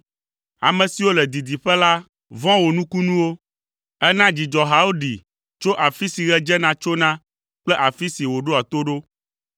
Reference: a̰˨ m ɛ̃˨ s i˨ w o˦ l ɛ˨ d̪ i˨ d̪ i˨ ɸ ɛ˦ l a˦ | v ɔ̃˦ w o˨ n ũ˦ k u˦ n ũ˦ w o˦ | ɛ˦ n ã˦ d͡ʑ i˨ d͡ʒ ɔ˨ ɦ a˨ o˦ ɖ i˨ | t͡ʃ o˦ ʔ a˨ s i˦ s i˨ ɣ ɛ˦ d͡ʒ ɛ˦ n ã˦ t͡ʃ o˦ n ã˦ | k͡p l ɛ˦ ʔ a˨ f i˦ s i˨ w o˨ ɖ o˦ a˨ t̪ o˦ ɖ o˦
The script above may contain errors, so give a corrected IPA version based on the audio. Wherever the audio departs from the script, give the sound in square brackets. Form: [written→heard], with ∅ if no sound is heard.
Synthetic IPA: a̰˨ m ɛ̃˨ s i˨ w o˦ l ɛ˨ d̪ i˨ d̪ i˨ ɸ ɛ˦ l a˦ | v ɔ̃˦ w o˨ n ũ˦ k u˦ n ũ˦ w o˦ | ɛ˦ n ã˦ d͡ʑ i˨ d͡ʒ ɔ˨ ɦ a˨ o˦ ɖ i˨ | t͡ʃ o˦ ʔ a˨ [s→f] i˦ s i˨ ɣ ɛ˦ d͡ʒ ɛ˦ n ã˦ t͡ʃ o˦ n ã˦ | k͡p l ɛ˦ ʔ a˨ f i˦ s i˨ w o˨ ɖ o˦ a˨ t̪ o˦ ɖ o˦